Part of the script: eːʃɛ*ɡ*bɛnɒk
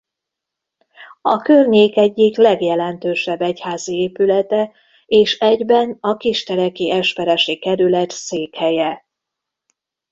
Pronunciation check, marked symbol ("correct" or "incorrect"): incorrect